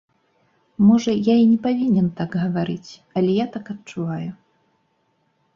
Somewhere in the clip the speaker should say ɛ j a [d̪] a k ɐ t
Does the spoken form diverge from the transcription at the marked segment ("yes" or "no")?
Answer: yes